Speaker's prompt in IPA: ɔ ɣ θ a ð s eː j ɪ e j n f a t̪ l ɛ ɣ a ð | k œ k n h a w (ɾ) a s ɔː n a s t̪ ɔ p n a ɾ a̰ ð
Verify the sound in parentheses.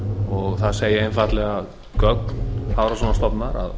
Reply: correct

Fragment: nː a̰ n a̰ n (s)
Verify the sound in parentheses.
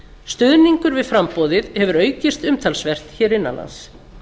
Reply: correct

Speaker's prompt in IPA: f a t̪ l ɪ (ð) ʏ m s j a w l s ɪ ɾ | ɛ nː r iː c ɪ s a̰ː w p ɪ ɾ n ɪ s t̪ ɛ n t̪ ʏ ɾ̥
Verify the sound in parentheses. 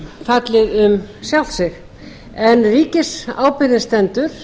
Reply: correct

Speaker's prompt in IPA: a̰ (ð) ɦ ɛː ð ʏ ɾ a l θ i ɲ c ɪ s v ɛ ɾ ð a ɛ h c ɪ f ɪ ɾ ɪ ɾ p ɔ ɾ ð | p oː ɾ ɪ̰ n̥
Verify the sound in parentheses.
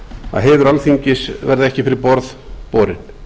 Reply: correct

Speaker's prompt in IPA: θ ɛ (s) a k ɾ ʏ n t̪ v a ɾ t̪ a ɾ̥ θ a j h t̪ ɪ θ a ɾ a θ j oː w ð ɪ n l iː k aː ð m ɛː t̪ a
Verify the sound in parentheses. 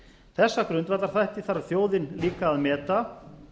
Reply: incorrect: sː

